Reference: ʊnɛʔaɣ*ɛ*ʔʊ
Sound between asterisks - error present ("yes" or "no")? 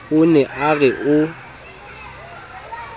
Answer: no